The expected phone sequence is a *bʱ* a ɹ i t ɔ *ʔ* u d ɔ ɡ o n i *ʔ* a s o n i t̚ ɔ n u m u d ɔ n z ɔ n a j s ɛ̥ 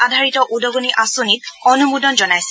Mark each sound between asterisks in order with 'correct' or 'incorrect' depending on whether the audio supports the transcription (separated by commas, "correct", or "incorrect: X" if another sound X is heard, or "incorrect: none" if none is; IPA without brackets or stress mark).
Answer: incorrect: dʱ, correct, correct